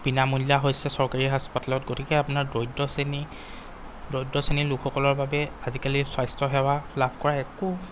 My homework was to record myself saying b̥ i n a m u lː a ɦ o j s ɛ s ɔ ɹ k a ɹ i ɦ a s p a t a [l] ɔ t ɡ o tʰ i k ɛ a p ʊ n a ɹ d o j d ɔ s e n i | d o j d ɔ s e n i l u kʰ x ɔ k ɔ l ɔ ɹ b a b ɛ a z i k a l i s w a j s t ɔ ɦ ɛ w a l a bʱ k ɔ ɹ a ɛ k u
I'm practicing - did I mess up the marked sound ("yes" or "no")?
no